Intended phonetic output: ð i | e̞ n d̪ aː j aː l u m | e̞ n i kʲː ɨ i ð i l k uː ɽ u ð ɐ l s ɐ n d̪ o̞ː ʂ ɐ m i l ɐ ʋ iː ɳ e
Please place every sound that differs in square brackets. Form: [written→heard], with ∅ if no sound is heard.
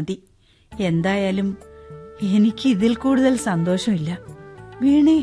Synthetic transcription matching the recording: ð i | e̞ n d̪ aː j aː l u m | e̞ n i kʲː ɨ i ð i l k uː ɽ u ð ɐ l s ɐ n d̪ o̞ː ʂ ɐ m i [l→lː] ɐ ʋ iː ɳ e